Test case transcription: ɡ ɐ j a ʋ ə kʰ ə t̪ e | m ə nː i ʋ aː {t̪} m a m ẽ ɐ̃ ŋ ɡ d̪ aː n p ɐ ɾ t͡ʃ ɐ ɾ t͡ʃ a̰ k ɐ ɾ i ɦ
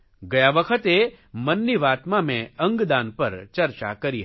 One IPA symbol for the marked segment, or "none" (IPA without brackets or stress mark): t̪